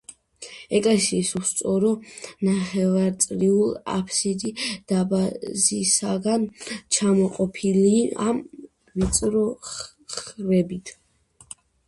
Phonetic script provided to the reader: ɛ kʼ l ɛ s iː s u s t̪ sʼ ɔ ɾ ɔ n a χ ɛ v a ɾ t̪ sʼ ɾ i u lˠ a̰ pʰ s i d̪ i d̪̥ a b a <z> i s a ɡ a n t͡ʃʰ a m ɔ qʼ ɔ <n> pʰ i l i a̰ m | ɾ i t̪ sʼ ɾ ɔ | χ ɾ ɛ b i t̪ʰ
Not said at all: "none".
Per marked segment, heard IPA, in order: z, none

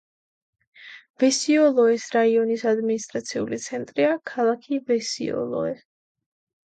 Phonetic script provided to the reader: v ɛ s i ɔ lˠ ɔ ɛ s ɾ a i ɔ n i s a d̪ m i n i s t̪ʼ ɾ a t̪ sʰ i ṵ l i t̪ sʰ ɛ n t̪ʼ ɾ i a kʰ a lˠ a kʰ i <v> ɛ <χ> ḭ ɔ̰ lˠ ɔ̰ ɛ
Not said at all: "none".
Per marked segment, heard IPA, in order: v, s

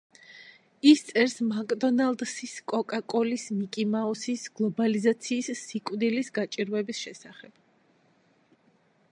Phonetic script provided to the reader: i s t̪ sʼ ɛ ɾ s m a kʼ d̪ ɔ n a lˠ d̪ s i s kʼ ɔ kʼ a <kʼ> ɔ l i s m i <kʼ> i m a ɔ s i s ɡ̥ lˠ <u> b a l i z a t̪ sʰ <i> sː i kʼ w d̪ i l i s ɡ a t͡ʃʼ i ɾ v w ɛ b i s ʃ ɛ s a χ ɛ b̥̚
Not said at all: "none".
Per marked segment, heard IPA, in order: kʼ, kʼ, ɔ, iː

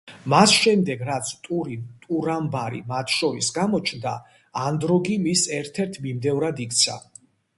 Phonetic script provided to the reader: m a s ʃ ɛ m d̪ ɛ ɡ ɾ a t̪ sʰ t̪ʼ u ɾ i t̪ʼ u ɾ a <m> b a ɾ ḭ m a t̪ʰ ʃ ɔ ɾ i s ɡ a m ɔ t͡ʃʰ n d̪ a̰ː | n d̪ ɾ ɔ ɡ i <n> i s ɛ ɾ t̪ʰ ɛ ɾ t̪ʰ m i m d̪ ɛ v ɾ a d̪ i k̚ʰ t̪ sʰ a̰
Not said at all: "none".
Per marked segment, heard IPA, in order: m, m

